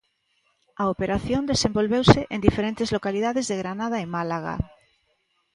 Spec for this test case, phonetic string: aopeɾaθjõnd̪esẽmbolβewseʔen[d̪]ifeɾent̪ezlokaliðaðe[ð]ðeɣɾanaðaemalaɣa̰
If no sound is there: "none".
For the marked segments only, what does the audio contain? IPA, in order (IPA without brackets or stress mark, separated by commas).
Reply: d̪, z